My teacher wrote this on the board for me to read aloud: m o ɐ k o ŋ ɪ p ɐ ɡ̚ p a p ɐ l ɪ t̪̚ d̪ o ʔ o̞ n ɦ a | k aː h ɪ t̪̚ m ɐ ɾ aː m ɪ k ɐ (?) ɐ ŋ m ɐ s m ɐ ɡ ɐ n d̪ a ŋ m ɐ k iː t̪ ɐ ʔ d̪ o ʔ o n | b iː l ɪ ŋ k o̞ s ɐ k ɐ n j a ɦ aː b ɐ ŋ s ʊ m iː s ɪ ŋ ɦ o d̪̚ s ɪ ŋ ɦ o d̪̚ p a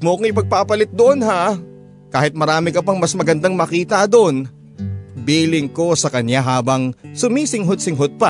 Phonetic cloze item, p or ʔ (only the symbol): p